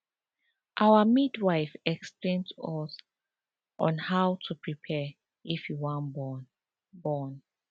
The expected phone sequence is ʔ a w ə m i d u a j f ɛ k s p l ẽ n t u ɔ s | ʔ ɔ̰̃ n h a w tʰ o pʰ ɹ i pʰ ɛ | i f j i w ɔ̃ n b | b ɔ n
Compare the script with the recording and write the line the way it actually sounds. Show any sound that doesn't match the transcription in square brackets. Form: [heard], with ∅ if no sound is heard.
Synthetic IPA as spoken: ʔ a w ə m i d [w] a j f ɛ k s p l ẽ n t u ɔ s | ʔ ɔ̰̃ n h a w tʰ [u] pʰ ɹ i pʰ ɛ | i f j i w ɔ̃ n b | b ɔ n